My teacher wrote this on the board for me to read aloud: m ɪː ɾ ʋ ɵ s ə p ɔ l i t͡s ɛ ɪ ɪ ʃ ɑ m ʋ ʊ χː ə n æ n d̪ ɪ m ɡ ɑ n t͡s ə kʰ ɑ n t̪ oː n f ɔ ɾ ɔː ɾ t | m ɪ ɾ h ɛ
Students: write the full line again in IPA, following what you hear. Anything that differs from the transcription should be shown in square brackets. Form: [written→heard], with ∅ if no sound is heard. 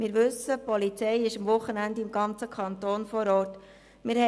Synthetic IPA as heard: m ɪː ɾ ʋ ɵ s ə p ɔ l i t͡s ɛ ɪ ɪ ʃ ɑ m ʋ ʊ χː ə n æ n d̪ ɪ m ɡ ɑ n t͡s ə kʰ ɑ n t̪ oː n f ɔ ɾ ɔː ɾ t | m ɪ ɾ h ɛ